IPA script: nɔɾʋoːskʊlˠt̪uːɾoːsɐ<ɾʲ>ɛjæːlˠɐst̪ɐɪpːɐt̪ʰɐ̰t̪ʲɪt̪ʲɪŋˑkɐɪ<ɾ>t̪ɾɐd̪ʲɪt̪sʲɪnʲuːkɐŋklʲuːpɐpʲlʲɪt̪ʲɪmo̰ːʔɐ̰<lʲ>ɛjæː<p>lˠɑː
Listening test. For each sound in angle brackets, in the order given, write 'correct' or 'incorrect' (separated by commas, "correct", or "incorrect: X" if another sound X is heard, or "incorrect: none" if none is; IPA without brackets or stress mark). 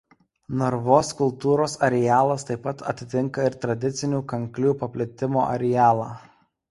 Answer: correct, correct, incorrect: ɾʲ, incorrect: none